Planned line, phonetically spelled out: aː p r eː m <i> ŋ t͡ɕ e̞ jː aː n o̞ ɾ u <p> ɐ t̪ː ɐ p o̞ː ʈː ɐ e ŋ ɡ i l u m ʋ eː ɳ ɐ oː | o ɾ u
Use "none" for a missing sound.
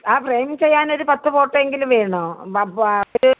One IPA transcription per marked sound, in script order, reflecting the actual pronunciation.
i, p

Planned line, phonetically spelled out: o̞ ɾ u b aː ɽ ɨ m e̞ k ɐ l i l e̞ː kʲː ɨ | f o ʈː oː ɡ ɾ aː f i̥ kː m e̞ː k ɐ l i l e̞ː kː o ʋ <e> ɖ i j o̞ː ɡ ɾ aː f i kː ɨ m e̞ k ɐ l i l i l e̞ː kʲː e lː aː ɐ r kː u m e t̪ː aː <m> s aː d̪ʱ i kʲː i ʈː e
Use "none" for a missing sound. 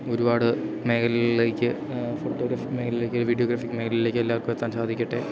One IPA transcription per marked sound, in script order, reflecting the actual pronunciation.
i, n

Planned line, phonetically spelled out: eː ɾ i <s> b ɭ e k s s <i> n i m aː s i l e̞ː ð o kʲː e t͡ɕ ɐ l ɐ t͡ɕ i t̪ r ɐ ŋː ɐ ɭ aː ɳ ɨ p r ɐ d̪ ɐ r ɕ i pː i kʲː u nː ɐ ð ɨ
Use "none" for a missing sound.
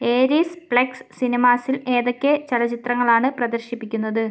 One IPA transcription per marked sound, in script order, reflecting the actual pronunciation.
s, i

